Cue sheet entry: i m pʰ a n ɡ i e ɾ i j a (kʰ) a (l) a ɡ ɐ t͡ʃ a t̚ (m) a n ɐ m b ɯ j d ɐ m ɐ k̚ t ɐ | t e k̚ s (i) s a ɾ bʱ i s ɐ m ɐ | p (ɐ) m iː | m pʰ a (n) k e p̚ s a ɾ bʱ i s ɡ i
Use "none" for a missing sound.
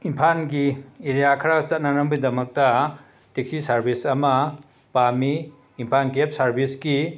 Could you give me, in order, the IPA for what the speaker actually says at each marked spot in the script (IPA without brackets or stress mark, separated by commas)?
kʰ, ɾ, n, i, a, n